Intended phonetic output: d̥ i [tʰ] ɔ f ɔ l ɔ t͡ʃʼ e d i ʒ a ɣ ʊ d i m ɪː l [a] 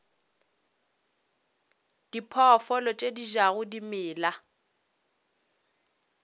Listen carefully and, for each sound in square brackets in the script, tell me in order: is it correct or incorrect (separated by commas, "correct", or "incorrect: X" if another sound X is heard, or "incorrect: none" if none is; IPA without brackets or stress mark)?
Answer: incorrect: pʰ, correct